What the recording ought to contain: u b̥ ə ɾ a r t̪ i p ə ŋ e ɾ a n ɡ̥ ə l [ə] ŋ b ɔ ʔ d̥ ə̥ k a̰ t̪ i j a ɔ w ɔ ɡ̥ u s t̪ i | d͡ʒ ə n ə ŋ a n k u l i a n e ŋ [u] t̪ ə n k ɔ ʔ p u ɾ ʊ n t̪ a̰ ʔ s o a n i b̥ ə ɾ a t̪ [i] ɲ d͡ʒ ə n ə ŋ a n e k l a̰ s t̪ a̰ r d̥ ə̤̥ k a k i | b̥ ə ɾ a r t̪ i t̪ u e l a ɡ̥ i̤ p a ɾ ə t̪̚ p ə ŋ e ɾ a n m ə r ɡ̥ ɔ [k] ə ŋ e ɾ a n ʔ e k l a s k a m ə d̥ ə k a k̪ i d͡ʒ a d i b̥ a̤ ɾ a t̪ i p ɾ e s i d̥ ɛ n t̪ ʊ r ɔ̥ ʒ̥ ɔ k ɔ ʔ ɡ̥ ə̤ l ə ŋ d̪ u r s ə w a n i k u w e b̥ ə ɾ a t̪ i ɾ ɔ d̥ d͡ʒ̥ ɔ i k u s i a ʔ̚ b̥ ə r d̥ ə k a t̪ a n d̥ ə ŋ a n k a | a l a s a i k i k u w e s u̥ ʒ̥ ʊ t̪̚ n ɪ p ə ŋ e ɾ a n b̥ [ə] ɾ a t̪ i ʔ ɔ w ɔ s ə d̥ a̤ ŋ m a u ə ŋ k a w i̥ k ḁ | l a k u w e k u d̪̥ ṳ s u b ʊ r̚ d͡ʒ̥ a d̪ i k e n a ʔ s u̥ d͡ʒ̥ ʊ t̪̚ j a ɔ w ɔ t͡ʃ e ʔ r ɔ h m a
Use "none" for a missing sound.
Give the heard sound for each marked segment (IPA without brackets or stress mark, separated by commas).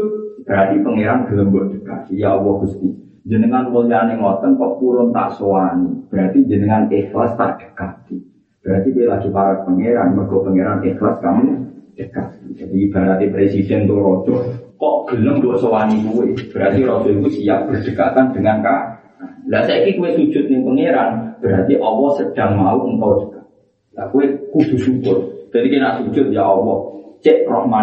ə, ɔ, i, p, ə